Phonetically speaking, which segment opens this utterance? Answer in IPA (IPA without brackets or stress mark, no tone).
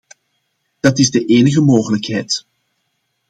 d̥